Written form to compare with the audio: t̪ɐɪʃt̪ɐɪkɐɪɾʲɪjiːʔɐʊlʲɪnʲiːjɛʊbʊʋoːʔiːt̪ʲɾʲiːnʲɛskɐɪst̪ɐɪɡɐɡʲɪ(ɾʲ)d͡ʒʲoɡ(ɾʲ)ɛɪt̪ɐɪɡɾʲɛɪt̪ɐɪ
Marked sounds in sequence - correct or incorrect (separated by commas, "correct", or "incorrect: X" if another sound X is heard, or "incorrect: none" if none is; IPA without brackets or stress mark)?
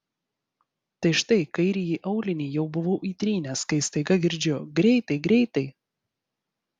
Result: correct, correct